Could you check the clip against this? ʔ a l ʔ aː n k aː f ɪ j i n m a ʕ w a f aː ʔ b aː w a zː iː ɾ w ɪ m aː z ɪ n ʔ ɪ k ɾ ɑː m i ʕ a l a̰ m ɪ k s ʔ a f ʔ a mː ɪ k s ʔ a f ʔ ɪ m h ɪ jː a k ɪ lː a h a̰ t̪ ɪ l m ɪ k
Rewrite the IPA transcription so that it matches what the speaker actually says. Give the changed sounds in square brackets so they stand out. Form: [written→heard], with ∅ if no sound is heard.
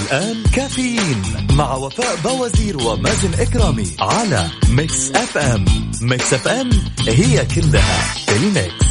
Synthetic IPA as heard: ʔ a l ʔ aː n k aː f ɪ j [i→iː] n m a ʕ w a f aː ʔ b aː w a [zː→z] iː ɾ w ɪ m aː z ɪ n ʔ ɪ k ɾ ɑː m i ʕ a l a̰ m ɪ k s ʔ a f ʔ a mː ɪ k s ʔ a f ʔ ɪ m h ɪ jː a k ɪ lː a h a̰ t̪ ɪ l m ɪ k